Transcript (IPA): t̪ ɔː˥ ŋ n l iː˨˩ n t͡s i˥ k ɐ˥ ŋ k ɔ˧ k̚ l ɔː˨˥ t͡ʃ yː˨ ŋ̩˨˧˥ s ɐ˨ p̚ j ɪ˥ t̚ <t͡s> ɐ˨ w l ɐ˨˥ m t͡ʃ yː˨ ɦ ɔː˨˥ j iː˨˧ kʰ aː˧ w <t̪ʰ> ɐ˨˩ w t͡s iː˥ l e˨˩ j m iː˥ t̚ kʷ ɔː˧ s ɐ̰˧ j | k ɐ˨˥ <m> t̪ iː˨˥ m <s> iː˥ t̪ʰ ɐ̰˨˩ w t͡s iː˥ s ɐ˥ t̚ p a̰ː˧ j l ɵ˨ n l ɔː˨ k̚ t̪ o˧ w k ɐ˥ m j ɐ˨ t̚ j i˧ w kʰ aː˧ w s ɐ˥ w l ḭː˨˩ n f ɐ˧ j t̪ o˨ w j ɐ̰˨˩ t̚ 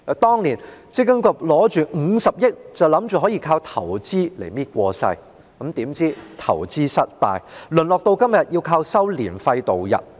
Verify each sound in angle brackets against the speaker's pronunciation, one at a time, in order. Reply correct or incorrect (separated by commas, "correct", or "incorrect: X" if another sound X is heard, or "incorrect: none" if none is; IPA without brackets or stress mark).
correct, correct, correct, incorrect: t͡s